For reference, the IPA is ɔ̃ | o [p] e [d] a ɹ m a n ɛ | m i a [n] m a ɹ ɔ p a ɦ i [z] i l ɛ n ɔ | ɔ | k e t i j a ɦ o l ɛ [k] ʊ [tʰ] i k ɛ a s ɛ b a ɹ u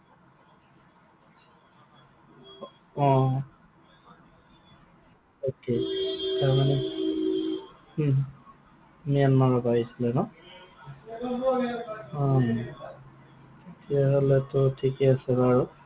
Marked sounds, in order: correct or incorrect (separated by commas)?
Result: incorrect, incorrect, correct, incorrect, incorrect, correct